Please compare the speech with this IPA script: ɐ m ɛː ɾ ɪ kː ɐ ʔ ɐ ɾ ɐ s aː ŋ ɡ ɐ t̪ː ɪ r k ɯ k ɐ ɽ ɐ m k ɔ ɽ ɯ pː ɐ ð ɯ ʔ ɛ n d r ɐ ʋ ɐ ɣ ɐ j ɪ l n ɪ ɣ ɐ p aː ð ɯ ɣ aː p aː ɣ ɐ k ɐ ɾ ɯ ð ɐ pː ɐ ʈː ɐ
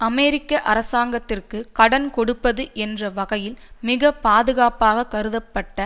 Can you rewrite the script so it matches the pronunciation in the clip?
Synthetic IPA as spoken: ɐ m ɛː ɾ ɪ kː ɐ ʔ ɐ ɾ ɐ s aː ŋ ɡ ɐ t̪ː ɪ r k ɯ k ɐ ɽ ɐ n k ɔ ɽ ɯ pː ɐ ð ɯ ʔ ɛ n d r ɐ ʋ ɐ ɣ ɐ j ɪ l m ɪ ɣ ɐ p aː ð ɯ ɣ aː p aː ɣ ɐ k ɐ ɾ ɯ ð ɐ pː ɐ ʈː ɐ